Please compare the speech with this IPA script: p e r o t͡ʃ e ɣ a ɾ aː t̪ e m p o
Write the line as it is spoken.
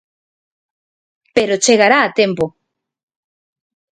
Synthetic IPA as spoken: p e ɾ o t͡ʃ e ɣ a ɾ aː t̪ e m p o